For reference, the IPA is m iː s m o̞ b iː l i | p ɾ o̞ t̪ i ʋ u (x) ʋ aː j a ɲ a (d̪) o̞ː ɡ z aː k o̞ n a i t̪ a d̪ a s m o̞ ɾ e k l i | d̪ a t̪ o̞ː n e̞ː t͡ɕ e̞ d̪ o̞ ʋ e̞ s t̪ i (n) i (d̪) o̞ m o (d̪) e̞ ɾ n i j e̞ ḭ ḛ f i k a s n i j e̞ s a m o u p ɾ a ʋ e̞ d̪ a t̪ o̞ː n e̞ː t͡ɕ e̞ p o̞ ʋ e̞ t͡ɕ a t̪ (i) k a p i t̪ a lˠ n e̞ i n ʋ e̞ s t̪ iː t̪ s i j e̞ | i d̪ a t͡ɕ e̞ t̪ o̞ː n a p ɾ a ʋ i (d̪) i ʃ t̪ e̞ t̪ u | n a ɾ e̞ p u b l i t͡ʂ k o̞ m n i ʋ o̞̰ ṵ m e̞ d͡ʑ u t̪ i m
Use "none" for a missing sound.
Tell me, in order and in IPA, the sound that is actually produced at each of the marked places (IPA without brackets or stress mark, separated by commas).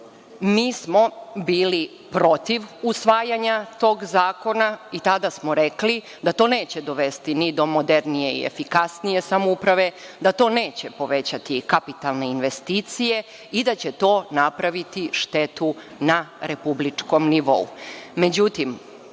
s, t̪, n, d̪, d̪, i, t̪